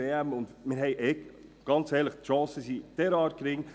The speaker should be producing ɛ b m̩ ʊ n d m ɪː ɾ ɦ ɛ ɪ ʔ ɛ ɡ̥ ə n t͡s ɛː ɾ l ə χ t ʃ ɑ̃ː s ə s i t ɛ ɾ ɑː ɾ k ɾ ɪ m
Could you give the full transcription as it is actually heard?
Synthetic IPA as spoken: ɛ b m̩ ʊ n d m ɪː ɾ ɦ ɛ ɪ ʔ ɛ ɡ̥ ɑ n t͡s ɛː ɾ l ə χ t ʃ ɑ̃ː s ə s i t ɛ ɾ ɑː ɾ k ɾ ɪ ŋ